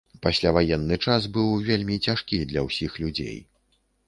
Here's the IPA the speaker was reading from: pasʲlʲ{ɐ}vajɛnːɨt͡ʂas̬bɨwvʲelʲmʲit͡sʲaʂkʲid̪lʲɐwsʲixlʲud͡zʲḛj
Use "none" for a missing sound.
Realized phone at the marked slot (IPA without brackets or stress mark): a